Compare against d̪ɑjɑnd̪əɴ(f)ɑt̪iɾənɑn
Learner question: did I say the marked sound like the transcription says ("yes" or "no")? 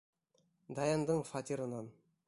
yes